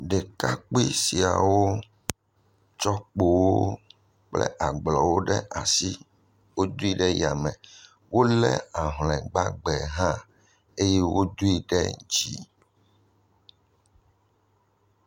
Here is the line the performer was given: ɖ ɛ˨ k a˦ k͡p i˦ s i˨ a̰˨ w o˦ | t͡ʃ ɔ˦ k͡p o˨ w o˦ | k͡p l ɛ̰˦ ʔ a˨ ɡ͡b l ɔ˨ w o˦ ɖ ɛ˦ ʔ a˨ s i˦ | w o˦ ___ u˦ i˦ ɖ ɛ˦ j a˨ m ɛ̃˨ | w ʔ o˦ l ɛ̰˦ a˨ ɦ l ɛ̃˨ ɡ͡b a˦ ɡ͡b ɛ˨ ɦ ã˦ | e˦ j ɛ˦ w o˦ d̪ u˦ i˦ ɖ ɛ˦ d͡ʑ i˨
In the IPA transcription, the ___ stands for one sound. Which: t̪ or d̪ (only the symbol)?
d̪